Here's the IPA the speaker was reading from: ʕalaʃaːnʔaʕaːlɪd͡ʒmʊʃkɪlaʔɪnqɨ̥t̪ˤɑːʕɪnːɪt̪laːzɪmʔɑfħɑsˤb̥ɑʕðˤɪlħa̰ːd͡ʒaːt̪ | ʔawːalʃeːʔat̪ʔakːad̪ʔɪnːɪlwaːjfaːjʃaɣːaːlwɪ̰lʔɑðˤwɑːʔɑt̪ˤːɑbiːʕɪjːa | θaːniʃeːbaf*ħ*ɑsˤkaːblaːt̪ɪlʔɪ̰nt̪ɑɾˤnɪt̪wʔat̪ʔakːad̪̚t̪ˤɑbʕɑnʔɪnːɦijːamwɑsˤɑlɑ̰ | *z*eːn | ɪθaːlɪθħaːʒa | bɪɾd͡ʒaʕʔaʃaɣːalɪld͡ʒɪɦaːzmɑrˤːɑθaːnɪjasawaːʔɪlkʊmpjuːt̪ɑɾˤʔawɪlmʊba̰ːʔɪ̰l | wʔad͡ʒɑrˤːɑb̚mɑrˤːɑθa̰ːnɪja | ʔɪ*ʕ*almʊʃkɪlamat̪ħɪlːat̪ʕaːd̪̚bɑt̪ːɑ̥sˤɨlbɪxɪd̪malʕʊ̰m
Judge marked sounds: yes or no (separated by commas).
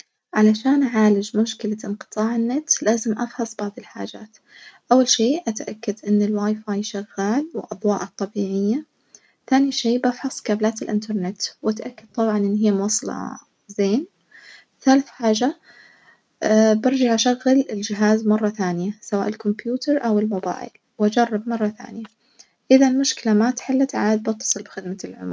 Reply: yes, yes, no